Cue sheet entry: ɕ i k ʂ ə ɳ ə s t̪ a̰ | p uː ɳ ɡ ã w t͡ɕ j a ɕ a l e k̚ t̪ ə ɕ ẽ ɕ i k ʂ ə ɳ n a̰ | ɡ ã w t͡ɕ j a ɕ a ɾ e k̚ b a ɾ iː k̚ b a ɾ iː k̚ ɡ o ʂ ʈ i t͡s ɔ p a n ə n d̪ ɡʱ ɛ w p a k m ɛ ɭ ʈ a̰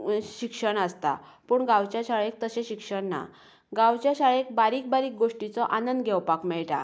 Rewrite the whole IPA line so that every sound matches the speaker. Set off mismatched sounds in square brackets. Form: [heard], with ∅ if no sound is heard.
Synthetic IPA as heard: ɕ i k ʂ ə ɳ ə s t̪ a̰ | p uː ɳ ɡ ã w t͡ɕ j a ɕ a [ɭ] e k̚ t̪ ə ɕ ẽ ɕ i k ʂ ə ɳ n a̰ | ɡ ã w t͡ɕ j a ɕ a [ɭ] e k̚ b a ɾ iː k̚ b a ɾ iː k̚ ɡ o ʂ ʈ i t͡s ɔ [ʔ] a n ə n d̪ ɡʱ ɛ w p a k m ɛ ɭ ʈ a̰

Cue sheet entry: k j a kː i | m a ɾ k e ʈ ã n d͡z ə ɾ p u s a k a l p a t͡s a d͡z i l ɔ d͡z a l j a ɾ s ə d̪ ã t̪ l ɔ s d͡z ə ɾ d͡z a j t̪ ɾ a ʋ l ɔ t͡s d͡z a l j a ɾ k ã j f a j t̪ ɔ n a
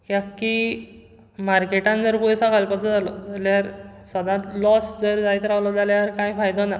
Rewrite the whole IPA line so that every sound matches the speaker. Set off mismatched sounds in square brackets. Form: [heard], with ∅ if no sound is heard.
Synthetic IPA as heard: k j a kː i | m a ɾ k e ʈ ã n d͡z ə ɾ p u s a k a l p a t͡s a d͡z [a] l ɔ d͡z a l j a ɾ s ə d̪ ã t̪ l ɔ s d͡z ə ɾ d͡z a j t̪ ɾ a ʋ l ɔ [∅] d͡z a l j a ɾ k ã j f a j [d̪] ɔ n a

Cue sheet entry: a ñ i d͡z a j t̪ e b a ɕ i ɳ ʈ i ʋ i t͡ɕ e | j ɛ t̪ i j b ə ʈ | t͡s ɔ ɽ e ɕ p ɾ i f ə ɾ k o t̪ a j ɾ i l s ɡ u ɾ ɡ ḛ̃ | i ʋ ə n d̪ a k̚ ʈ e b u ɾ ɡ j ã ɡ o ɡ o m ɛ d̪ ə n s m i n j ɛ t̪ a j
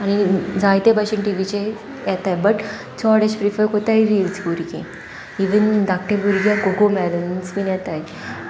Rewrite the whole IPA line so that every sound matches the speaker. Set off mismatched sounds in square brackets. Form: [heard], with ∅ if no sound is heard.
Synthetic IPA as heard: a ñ i d͡z a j t̪ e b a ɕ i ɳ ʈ i ʋ i t͡ɕ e | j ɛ t̪ [a] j b ə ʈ | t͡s ɔ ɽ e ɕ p ɾ i f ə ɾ k o t̪ a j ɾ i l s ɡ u ɾ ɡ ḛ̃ | i ʋ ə n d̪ a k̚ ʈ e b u ɾ ɡ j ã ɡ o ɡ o m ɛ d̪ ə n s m i n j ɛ t̪ a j

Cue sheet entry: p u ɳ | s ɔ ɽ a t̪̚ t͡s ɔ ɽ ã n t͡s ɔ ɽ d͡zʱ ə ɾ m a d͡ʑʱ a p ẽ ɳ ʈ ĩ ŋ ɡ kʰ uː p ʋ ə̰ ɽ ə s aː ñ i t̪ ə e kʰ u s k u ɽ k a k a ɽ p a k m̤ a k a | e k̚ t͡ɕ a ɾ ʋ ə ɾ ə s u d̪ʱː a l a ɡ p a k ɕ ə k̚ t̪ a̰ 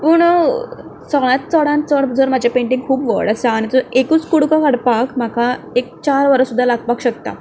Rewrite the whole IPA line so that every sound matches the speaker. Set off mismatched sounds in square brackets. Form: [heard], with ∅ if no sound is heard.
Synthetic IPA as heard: p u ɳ | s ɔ [ɭ] a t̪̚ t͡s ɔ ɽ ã n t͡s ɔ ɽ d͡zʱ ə ɾ m a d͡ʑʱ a p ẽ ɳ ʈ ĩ ŋ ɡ kʰ uː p ʋ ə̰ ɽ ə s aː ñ i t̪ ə e [k] u [t͡s] k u ɽ k a k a ɽ p a k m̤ a k a | e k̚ t͡ɕ a ɾ ʋ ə ɾ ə s u d̪ʱː a l a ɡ p a k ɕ ə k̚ t̪ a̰

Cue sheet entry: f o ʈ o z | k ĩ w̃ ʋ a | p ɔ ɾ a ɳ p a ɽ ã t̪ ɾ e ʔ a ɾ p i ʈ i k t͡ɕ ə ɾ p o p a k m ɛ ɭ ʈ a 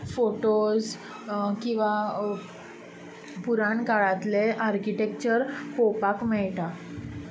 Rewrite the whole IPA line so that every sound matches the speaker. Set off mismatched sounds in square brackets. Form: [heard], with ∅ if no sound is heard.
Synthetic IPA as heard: f o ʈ o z | k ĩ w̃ ʋ a | p [u] ɾ a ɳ [k] a [ɭ] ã t̪ [l] e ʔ a ɾ [k] i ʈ [e] k t͡ɕ ə ɾ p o p a k m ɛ ɭ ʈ a

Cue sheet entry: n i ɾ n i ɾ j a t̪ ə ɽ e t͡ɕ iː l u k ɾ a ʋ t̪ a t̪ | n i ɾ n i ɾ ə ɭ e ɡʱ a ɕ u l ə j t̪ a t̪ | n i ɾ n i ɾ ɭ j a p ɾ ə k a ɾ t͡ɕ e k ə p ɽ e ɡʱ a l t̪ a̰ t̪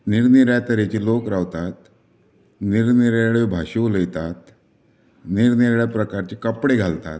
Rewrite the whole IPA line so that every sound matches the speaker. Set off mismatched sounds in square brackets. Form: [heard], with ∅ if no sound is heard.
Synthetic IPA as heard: n i ɾ n i ɾ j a t̪ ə [ɾ] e t͡ɕ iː l [o] k ɾ a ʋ t̪ a t̪ | n i ɾ n i ɾ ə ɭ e [bʱ] a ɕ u l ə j t̪ a t̪ | n i ɾ n i ɾ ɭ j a p ɾ ə k a ɾ t͡ɕ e k ə p ɽ e ɡʱ a l t̪ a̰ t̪

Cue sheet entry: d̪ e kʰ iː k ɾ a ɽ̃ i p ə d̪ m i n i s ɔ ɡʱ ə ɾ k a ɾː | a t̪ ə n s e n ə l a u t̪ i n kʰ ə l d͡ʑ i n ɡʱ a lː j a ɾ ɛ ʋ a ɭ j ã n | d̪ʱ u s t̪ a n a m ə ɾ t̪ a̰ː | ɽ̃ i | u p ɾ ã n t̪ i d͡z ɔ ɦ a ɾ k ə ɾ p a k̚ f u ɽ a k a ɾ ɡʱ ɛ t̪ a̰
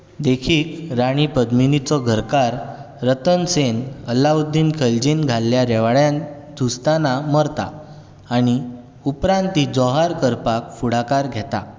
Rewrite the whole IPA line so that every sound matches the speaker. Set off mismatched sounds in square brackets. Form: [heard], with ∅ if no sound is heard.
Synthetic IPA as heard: d̪ e kʰ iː k ɾ a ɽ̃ i p ə d̪ m i n i [t͡s] ɔ ɡʱ ə ɾ k a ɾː | [ə] t̪ ə n s e n ə l a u [d̪] i n kʰ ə l d͡ʑ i n ɡʱ a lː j a ɾ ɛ ʋ a ɭ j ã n | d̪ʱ u s t̪ a n a m ə ɾ t̪ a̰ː | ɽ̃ i | u p ɾ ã n t̪ i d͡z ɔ ɦ a ɾ k ə ɾ p a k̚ f u ɽ a k a ɾ ɡʱ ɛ t̪ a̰

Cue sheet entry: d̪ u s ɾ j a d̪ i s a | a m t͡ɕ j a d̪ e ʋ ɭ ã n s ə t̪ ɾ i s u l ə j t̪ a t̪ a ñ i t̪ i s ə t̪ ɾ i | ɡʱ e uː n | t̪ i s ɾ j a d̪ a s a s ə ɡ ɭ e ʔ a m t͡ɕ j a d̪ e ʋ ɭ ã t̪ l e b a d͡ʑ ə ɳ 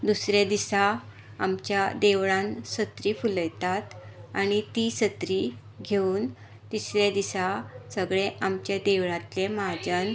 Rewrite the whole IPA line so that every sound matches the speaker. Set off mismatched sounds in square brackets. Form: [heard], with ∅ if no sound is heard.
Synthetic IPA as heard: d̪ u s ɾ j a d̪ i s a | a m t͡ɕ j a d̪ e ʋ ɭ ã n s ə t̪ ɾ i [f] u l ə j t̪ a t̪ a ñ i t̪ i s ə t̪ ɾ i | ɡʱ e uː n | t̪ i s ɾ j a d̪ [i] s a s ə ɡ ɭ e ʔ a m t͡ɕ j a d̪ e ʋ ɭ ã t̪ l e [m] a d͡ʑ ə [n]

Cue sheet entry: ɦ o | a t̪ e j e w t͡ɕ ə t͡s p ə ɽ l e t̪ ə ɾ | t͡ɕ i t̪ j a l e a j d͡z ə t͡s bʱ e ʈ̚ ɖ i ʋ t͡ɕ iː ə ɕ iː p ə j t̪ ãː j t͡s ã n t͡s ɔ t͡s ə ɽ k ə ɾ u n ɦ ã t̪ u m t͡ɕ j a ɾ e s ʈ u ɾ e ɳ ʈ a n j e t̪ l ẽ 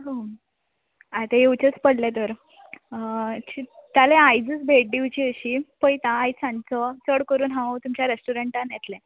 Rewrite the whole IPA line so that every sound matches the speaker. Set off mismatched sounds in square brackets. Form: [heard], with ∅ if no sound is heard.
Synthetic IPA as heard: ɦ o | a t̪ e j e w t͡ɕ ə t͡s p ə ɽ l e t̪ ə ɾ | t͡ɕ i t̪ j a l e a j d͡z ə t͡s bʱ e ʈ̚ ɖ i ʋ t͡ɕ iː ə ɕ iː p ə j t̪ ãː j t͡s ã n t͡s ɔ t͡s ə ɽ k ə ɾ [uː] n ɦ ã t̪ u m t͡ɕ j a ɾ e s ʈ u ɾ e ɳ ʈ a n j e t̪ l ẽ

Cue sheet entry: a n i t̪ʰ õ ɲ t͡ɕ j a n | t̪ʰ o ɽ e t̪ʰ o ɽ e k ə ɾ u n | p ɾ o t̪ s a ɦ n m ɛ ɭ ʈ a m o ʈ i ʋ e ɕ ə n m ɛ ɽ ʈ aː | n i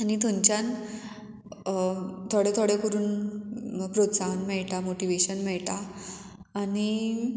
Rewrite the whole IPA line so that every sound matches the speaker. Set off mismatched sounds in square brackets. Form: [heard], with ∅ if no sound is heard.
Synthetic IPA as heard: a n i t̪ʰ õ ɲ t͡ɕ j a n | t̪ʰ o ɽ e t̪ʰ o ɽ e k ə ɾ [uː] n | p ɾ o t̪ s a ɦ n m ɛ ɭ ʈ a m o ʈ i ʋ e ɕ ə n m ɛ [ɭ] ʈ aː | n i

